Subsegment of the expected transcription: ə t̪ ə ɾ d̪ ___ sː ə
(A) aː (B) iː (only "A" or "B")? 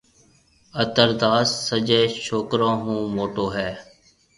A